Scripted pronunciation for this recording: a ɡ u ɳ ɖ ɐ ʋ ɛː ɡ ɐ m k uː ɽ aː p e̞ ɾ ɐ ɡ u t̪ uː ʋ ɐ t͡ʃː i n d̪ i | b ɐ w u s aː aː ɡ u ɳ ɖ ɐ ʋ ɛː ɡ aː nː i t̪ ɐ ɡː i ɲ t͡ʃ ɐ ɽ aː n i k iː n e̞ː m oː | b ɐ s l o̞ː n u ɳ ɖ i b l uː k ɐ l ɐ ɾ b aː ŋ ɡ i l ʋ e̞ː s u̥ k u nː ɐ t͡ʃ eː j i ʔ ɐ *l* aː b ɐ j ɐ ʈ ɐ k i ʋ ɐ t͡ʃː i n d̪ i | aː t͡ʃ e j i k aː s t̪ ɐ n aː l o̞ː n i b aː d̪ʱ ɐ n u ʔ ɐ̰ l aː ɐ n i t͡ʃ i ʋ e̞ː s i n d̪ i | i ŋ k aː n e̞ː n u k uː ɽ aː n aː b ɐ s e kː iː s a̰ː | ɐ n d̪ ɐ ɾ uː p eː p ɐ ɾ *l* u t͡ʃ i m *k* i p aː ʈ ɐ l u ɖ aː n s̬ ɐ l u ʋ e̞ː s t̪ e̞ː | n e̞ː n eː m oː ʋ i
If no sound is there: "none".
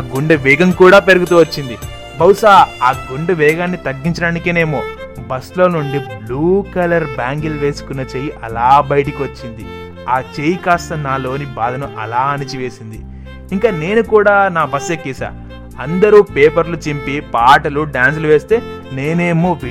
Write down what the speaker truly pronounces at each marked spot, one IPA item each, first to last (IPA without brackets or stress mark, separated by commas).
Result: l, l, p